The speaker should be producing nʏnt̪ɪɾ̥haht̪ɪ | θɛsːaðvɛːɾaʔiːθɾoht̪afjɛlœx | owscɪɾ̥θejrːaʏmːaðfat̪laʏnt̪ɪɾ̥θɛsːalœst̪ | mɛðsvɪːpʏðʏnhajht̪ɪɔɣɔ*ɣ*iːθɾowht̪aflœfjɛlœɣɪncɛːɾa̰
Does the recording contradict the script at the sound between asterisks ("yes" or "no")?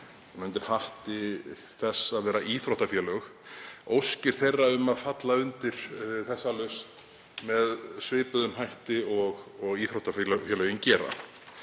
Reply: no